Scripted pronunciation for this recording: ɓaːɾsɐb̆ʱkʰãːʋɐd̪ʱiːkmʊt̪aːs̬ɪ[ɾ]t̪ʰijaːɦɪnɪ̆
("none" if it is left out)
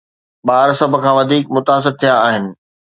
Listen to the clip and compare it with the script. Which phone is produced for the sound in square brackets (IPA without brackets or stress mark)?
ɾ